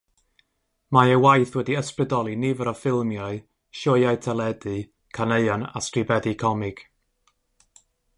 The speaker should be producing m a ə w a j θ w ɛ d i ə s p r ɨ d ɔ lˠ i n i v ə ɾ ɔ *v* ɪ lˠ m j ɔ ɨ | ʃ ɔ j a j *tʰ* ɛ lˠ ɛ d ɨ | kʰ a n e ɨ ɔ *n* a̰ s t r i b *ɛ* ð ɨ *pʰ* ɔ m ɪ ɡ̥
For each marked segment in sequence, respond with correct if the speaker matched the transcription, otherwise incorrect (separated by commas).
incorrect, correct, correct, correct, incorrect